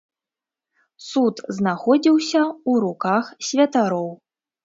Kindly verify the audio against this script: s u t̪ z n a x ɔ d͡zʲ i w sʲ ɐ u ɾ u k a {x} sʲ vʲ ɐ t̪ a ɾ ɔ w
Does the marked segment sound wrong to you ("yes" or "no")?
no